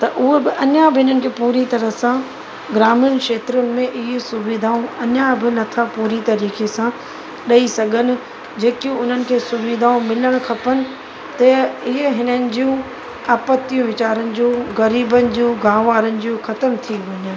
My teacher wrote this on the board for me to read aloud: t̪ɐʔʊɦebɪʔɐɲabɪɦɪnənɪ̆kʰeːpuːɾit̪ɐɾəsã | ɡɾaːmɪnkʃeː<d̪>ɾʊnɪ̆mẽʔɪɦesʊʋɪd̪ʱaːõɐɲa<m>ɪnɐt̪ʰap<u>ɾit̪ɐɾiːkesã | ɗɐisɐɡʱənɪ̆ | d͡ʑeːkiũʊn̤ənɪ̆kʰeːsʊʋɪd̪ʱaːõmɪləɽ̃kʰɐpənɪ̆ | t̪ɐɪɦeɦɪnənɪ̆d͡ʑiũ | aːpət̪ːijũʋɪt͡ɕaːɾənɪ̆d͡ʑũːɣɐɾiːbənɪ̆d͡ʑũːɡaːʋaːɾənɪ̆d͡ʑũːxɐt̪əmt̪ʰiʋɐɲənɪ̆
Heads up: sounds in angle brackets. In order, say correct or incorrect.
incorrect, incorrect, incorrect

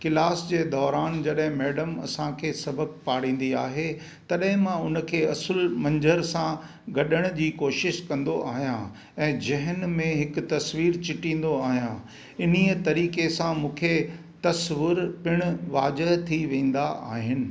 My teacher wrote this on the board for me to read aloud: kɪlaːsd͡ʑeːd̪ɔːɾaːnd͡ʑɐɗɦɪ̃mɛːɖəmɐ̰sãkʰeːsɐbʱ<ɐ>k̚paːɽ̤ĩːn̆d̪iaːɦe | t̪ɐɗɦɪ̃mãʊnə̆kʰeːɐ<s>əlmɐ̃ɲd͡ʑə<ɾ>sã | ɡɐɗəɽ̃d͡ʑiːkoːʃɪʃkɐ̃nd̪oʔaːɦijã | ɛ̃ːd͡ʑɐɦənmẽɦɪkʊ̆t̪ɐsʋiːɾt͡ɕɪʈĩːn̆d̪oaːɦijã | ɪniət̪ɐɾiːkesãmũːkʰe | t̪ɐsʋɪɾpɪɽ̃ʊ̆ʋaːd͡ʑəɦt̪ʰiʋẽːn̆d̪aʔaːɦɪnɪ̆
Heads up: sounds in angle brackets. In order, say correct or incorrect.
incorrect, correct, correct

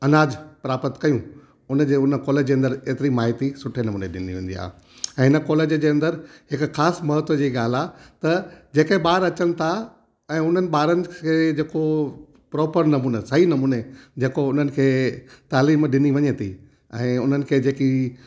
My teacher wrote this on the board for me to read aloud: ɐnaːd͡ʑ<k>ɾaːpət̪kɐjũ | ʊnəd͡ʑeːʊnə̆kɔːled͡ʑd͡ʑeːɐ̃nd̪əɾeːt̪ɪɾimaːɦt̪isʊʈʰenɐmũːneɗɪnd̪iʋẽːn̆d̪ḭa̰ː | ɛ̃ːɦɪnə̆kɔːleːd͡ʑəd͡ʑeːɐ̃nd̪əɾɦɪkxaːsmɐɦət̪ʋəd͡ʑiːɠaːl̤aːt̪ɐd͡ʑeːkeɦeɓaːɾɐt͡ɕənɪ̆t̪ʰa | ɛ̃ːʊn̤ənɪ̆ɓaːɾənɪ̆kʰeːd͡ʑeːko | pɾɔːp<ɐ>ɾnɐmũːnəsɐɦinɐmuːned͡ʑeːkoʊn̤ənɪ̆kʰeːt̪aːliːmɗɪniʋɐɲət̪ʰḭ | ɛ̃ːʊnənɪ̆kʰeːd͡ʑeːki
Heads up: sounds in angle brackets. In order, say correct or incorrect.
incorrect, incorrect

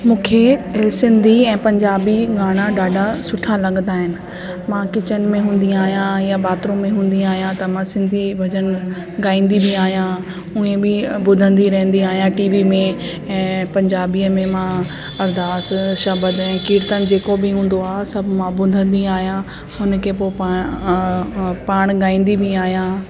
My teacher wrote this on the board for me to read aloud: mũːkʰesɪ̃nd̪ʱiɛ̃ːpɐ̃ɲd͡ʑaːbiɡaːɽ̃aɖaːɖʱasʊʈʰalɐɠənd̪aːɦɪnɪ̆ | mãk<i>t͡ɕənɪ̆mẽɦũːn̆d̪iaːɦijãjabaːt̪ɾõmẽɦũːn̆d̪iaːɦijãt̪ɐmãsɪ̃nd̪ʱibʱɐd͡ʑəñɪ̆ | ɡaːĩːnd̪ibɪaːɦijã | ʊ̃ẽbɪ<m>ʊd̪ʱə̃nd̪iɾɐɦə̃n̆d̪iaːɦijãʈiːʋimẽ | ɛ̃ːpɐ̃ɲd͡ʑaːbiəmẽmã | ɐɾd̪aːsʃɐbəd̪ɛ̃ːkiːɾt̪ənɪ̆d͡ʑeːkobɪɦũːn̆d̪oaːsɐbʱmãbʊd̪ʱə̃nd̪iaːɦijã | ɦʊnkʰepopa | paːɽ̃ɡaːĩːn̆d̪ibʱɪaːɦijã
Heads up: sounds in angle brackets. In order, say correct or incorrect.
incorrect, incorrect

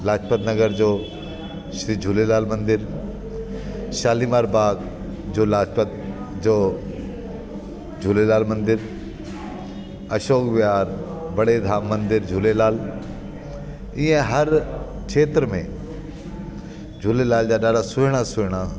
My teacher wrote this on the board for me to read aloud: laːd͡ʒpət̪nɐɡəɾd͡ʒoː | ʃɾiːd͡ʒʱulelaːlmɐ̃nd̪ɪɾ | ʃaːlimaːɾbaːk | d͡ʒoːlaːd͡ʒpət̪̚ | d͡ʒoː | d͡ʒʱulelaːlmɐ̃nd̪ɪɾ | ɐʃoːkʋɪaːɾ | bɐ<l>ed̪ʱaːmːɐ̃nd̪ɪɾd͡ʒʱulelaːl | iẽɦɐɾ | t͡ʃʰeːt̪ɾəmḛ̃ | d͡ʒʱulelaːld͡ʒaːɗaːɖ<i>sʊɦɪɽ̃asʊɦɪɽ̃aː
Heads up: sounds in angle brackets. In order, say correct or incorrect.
incorrect, incorrect

